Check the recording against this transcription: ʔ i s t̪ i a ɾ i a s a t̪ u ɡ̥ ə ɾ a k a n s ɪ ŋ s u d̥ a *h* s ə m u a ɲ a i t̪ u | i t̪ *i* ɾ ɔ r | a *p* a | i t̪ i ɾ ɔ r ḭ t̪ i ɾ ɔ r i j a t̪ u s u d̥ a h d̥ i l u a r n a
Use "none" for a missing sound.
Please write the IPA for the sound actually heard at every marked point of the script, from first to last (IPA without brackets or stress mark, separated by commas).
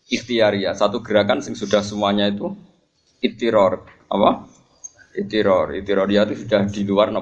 h, i, p